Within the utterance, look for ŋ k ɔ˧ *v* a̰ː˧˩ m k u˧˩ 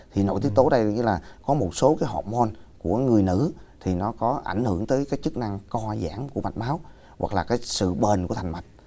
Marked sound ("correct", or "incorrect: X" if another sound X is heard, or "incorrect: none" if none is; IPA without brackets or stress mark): incorrect: z